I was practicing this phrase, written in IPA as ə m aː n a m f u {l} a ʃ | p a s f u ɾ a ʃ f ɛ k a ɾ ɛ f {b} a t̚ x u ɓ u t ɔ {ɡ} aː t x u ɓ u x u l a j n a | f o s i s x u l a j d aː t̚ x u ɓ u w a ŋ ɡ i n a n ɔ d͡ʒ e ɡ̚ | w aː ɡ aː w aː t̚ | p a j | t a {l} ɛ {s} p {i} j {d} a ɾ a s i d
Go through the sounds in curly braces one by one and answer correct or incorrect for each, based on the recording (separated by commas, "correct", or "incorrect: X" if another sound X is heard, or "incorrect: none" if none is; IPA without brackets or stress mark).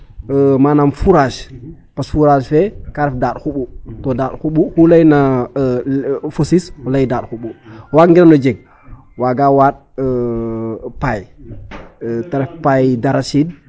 incorrect: ɾ, incorrect: d, incorrect: d, incorrect: ɾ, incorrect: f, incorrect: a, correct